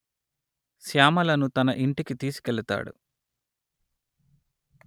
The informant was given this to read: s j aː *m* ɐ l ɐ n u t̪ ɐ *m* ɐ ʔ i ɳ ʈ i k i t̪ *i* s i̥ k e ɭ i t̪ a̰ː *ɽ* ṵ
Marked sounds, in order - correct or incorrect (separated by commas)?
correct, incorrect, incorrect, correct